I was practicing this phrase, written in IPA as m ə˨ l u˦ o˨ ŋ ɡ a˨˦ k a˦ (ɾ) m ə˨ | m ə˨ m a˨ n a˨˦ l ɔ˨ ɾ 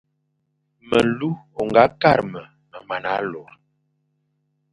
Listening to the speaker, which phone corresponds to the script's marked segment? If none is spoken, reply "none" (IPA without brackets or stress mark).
ɾ